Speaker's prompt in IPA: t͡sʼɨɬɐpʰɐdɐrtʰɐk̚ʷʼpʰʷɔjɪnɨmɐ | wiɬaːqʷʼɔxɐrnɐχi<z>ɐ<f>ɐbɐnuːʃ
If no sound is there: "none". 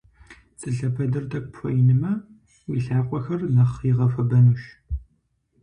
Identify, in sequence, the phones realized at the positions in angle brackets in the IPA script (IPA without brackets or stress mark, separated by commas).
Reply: ʁ, f